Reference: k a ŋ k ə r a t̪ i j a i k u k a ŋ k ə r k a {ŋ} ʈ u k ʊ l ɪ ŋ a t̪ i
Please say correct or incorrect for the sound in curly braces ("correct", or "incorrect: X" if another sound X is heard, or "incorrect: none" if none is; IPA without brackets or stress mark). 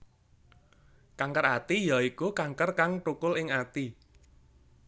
correct